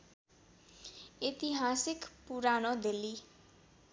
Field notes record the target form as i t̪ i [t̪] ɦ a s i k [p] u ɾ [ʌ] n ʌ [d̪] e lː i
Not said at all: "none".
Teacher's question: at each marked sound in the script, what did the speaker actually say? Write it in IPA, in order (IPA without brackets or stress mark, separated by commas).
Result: none, p, a, d̪